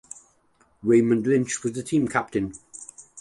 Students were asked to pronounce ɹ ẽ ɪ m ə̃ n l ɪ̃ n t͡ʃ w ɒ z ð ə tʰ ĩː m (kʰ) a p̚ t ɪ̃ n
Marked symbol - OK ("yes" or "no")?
yes